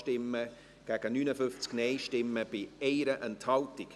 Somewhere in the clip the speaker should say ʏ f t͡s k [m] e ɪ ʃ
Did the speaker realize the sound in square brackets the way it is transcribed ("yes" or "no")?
no